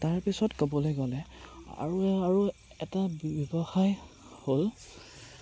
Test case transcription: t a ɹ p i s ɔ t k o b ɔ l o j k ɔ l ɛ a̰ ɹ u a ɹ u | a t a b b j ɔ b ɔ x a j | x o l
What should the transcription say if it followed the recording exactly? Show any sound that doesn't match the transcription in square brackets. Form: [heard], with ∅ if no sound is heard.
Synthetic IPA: t a ɹ p i s ɔ t k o b ɔ l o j [ɡ] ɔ l ɛ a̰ ɹ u a ɹ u | [ɛ] t a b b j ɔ b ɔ x a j | [h] o l